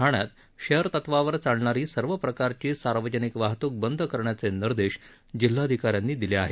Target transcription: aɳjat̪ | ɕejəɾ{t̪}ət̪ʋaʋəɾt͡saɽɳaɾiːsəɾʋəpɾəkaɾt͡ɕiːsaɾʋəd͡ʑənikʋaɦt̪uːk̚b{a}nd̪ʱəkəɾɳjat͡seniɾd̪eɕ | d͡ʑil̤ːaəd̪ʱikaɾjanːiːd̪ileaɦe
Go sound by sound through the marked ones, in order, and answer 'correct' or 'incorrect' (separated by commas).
correct, incorrect